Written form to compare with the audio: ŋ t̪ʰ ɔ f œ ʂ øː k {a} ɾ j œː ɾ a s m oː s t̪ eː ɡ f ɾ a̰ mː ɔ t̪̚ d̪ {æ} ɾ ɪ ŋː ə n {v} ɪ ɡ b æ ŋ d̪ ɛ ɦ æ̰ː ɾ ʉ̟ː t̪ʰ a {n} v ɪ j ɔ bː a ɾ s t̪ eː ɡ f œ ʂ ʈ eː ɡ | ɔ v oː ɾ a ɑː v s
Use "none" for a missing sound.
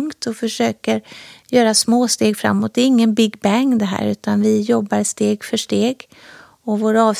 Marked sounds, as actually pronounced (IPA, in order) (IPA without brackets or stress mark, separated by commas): ə, ɛ, b, n